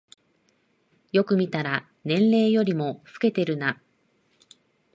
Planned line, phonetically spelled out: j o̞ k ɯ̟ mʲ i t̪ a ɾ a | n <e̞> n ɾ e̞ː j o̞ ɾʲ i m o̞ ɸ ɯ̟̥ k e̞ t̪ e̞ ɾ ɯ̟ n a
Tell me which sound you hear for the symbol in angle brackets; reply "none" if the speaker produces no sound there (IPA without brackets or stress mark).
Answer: ẽ̞